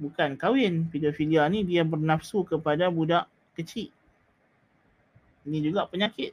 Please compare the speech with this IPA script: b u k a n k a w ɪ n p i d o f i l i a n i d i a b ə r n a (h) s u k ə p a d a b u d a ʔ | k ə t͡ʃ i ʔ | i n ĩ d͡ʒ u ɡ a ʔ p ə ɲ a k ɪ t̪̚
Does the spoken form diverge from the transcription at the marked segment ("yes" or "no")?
yes